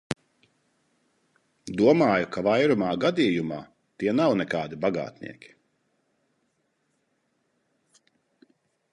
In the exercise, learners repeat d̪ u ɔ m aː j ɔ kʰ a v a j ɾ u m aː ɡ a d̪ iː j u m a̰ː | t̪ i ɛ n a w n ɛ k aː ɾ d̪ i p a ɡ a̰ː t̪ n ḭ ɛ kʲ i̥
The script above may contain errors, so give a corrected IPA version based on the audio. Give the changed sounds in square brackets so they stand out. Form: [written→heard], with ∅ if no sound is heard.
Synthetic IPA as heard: d̪ u ɔ m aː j [ɔ→u] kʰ a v a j ɾ u m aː ɡ a d̪ iː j u m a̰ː | t̪ i ɛ n a w n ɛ k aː [ɾ→∅] d̪ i [p→b] a ɡ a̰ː t̪ n ḭ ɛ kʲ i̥